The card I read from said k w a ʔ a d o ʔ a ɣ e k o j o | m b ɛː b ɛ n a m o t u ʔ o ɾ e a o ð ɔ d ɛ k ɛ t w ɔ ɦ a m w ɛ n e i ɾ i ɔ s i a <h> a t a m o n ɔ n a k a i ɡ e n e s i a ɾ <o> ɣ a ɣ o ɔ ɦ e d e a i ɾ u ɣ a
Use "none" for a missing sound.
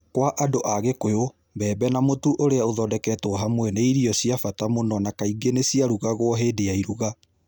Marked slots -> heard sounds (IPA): f, u

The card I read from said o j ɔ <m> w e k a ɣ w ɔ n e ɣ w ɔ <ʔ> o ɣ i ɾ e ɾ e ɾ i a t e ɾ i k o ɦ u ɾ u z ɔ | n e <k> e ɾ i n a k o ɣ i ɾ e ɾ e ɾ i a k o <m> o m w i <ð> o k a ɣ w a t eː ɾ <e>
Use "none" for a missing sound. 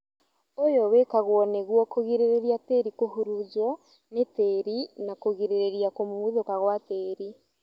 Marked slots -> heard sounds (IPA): none, k, t, m, ð, i

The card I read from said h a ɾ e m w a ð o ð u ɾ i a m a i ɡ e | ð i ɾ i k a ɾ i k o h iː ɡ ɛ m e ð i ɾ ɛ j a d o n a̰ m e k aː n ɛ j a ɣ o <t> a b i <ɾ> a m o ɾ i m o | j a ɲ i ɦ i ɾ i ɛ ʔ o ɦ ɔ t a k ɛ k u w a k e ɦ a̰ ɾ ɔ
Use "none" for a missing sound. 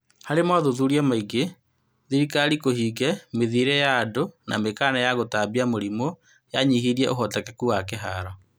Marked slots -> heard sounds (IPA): t, none

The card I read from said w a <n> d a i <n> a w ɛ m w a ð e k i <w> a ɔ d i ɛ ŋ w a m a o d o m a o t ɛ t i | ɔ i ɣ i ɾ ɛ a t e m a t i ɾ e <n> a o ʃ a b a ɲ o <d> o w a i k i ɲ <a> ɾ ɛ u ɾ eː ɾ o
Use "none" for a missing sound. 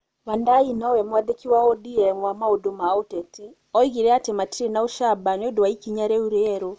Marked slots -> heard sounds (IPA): n, n, w, n, d, a

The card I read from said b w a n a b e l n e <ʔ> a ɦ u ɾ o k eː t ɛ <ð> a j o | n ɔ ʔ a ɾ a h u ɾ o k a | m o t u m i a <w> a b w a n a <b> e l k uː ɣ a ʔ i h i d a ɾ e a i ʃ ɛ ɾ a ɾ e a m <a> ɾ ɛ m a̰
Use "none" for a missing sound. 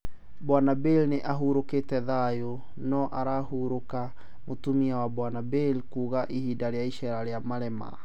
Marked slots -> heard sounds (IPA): ʔ, ð, w, b, a

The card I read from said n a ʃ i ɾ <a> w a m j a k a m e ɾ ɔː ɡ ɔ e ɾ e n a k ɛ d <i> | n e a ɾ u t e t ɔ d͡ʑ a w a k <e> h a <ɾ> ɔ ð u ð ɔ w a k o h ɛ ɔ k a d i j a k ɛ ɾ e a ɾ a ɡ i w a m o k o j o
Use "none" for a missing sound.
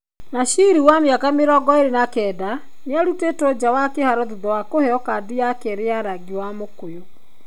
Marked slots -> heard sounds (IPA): i, a, e, ɾ

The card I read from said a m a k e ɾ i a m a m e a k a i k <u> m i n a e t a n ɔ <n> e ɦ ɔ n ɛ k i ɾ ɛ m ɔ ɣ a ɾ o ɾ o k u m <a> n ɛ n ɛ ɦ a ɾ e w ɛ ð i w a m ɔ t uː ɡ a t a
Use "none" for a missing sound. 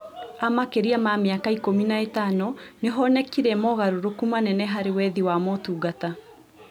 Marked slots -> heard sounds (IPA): o, n, a

